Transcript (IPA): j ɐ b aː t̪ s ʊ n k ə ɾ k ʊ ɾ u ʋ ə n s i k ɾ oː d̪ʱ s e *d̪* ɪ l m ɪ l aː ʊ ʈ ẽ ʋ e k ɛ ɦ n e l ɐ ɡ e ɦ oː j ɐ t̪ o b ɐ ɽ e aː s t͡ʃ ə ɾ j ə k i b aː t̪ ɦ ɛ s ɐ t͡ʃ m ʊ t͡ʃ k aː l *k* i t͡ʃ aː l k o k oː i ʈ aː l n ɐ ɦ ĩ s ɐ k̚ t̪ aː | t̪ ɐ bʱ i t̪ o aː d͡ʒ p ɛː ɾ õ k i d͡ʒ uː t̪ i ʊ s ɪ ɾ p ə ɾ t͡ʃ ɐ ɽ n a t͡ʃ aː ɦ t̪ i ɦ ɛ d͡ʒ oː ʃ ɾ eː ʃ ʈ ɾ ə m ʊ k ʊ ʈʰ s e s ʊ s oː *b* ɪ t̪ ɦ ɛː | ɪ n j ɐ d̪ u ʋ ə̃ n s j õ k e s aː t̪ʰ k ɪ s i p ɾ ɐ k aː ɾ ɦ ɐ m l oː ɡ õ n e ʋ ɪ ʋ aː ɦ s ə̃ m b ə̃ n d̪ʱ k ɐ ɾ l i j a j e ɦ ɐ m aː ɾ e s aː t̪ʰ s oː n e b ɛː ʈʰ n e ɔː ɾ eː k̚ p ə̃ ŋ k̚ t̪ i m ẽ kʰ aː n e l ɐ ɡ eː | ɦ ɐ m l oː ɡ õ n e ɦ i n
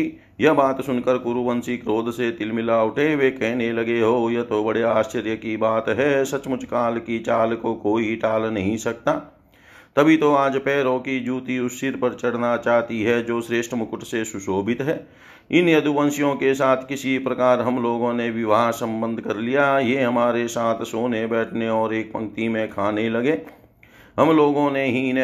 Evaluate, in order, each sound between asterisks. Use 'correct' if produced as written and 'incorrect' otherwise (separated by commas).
incorrect, correct, correct